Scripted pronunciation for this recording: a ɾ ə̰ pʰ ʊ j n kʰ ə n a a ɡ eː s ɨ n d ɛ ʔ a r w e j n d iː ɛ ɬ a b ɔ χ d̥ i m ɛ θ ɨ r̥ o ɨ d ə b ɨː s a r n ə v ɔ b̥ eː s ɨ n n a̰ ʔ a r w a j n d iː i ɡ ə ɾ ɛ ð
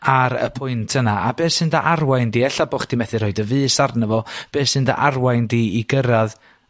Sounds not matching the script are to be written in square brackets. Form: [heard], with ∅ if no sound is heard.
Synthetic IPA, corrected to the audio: a ɾ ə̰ pʰ ʊ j n [tʰ] ə n a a [b] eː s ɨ n d [a] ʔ a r w [a] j n d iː ɛ ɬ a b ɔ χ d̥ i m ɛ θ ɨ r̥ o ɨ d ə [v] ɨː s a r n ə v ɔ b̥ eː s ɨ n [d] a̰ ʔ a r w a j n d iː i ɡ ə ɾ [a] ð